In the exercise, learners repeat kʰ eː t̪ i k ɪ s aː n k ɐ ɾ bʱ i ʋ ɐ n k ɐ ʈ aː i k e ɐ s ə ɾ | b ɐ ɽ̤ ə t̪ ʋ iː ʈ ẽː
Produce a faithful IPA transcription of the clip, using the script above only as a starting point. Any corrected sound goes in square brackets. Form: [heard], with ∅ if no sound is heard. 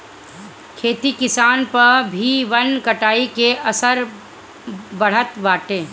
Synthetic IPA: kʰ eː t̪ i k ɪ s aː n [p] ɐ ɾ bʱ i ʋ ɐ n k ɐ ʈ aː i k e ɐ s ə ɾ | b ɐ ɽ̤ ə t̪ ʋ [aː] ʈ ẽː